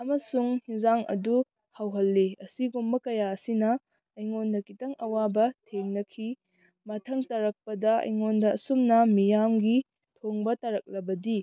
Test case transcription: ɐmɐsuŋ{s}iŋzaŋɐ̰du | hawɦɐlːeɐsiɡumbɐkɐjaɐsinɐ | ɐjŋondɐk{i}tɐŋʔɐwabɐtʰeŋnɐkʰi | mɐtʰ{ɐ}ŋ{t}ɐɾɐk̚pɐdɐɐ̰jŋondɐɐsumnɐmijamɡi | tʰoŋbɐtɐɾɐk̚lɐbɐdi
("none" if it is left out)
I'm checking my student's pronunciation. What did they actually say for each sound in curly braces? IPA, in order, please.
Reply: h, i, ɐ, t

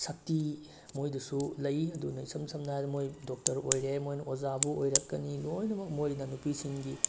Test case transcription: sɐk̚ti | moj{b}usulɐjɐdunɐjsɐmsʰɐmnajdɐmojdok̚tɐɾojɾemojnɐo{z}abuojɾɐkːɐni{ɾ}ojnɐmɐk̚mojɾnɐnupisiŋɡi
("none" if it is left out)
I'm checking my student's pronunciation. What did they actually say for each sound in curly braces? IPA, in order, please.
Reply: d, z, l

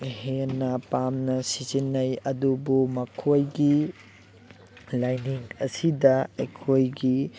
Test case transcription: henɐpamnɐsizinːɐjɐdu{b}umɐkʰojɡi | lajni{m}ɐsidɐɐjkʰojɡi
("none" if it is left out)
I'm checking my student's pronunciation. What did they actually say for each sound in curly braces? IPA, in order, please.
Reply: b, ŋ

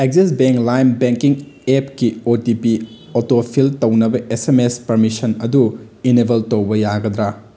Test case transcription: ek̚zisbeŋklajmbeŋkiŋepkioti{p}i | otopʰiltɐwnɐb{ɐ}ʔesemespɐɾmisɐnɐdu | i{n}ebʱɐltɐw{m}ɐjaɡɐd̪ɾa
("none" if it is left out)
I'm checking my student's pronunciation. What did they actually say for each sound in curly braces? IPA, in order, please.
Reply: p, ɐ, n, b

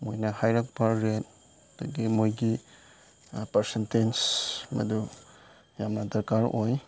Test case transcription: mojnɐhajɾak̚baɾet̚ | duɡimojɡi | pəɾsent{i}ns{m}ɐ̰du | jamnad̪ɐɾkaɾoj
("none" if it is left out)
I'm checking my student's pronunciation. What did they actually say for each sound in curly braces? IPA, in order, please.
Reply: e, m

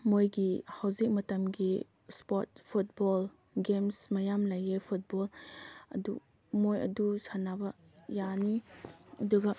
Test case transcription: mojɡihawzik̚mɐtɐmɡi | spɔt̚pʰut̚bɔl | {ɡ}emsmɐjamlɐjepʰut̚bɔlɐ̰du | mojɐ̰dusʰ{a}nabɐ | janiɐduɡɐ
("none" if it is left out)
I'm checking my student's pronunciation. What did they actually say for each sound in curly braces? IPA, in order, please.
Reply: ɡ, a

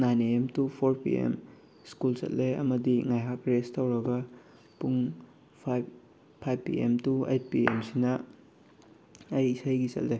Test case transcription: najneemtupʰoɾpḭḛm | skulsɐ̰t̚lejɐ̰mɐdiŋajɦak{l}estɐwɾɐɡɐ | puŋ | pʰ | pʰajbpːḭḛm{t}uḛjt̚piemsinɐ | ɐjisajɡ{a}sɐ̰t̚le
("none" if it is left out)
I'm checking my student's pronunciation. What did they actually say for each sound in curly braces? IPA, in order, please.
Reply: ɾ, t, i

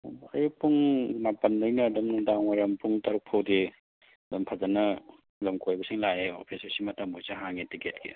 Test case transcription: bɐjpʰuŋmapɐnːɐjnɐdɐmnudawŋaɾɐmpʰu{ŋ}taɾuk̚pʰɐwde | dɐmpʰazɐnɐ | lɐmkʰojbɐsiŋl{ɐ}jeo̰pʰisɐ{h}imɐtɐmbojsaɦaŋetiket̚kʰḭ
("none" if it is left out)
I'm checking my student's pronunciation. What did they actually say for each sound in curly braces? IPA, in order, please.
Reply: ŋ, a, s

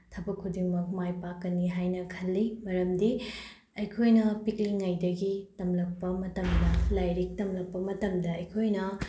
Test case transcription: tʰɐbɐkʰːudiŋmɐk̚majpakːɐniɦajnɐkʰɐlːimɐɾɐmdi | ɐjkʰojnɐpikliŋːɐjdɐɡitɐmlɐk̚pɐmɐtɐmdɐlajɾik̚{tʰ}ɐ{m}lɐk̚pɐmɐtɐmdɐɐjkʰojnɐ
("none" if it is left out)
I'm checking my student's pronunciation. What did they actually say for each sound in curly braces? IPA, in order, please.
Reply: t, m

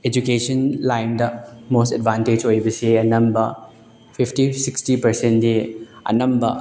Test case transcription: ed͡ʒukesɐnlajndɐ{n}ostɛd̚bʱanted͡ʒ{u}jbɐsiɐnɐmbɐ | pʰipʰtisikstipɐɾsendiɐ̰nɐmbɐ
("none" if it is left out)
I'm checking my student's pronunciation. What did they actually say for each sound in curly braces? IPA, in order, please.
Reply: m, o

